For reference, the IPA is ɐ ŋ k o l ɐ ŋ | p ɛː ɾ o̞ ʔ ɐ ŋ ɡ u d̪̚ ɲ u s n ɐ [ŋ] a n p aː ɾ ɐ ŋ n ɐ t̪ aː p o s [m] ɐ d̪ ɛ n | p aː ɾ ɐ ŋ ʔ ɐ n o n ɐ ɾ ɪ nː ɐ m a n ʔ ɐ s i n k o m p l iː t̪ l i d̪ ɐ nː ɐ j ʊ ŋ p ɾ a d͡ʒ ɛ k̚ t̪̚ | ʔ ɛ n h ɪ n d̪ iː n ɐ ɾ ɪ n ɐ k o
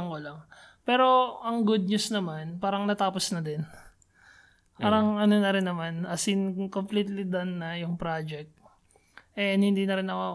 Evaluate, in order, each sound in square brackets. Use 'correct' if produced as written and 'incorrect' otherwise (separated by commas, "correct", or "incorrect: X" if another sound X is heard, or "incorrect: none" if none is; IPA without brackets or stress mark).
incorrect: m, incorrect: n